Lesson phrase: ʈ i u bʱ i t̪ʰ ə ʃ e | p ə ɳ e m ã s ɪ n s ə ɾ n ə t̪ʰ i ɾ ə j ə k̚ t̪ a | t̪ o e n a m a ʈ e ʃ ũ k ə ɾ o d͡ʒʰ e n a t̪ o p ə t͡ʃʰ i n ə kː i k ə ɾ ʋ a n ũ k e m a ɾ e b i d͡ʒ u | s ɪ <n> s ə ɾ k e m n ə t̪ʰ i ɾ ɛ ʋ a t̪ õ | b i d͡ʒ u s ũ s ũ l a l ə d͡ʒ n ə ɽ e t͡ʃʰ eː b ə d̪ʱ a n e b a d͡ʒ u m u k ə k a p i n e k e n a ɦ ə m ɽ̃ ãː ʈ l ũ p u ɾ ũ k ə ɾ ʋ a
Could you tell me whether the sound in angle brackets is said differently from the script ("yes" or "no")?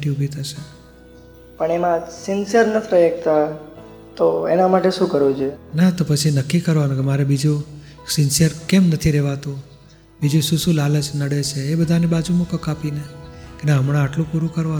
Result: no